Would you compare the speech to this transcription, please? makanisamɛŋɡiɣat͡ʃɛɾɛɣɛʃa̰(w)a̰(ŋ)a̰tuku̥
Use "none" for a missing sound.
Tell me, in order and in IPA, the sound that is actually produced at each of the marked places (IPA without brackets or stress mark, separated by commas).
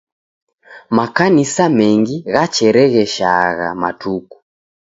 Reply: ɣ, m